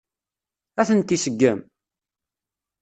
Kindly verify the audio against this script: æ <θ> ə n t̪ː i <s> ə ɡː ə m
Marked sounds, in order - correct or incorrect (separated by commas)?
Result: correct, correct